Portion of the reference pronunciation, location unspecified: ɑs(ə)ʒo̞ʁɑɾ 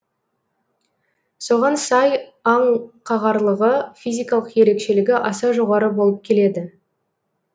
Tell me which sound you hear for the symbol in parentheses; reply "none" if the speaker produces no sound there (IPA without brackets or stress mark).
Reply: ɑ